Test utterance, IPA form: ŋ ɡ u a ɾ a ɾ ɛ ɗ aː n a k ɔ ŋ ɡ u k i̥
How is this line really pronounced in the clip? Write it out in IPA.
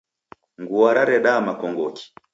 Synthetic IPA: ŋ ɡ u a ɾ a ɾ ɛ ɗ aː m a k ɔ ŋ ɡ ɔ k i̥

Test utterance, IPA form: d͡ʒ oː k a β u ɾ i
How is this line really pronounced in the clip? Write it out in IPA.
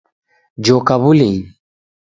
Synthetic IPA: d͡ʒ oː k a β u l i

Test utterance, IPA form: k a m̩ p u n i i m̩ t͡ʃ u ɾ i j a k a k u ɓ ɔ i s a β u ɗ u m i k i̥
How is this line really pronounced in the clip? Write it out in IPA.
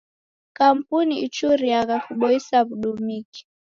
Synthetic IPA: k a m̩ p u n i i t͡ʃ u ɾ i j a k a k u ɓ ɔ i s a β u ɗ u m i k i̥

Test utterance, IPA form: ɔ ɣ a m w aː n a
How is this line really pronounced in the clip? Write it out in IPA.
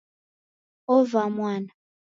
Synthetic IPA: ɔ v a m w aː n a

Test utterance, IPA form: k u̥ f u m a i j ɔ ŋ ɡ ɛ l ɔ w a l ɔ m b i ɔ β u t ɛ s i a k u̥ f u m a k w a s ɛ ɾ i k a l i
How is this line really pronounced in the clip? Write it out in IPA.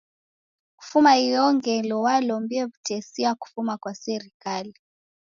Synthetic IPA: k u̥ f u m a i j ɔ ŋ ɡ ɛ l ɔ w a l ɔ m b i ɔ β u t ɛ s i a k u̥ f u m a k w a s ɛ ɾ i k a l i

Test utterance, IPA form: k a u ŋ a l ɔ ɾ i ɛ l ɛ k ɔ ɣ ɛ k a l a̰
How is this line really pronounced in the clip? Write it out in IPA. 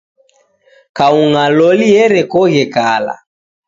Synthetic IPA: k a u ŋ a l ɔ l i ɛ ɾ ɛ k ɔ ɣ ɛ k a l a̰

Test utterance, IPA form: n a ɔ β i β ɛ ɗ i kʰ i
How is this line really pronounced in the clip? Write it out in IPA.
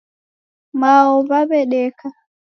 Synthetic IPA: m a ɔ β a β ɛ ɗ ɛ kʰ a

